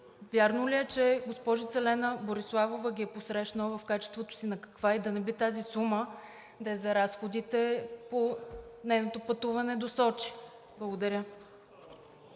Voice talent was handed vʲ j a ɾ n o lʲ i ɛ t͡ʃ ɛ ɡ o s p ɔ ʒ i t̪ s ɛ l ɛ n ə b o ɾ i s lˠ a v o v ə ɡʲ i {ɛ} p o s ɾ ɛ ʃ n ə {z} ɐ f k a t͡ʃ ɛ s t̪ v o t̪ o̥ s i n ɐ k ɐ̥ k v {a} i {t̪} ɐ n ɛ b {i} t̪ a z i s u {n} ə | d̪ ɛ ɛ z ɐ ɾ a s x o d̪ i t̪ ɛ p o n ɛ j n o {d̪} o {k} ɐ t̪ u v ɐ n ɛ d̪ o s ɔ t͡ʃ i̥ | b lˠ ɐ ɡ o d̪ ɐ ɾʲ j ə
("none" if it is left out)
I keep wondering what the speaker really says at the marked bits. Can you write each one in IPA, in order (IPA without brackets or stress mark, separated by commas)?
ɛ, v, a, d̪, i, m, t̪, p